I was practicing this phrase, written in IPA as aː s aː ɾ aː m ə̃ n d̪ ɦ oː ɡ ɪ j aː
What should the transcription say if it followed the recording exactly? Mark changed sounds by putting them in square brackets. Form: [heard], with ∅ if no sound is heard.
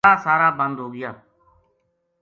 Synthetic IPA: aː s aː ɾ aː [b] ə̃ n d̪ ɦ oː ɡ ɪ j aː